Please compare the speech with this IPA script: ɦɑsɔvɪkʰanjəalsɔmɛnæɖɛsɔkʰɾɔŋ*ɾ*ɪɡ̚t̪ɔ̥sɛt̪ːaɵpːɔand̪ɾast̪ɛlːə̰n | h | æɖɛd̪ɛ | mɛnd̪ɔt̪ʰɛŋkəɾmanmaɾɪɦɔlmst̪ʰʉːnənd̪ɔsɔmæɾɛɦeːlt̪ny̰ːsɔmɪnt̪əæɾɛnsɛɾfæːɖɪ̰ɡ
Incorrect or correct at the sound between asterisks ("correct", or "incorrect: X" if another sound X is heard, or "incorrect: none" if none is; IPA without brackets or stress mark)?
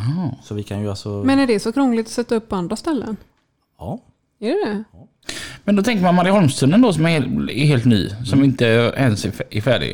incorrect: l